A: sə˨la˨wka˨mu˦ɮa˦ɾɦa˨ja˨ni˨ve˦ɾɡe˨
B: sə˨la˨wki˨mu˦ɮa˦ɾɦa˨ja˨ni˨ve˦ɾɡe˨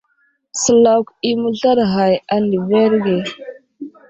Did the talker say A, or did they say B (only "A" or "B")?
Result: B